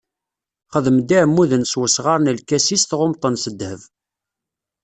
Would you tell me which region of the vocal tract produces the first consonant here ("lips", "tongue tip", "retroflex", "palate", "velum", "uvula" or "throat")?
uvula